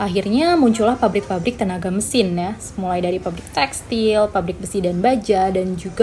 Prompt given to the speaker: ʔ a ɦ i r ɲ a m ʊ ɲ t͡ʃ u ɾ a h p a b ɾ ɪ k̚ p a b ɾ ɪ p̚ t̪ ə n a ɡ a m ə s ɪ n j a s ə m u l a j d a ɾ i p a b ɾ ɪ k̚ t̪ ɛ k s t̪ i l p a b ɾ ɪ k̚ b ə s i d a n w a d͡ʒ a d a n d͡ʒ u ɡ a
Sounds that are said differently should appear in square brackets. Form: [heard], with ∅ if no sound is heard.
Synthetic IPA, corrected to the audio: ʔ a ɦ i r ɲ a m [u] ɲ t͡ʃ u [l] a h p a b ɾ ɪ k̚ p a b ɾ ɪ [k̚] t̪ ə n a ɡ a m ə s ɪ n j a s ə m u l a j d a ɾ i p a b ɾ ɪ k̚ t̪ ɛ k s t̪ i l p a b ɾ ɪ k̚ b ə s i d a n [b] a d͡ʒ a d a n d͡ʒ u ɡ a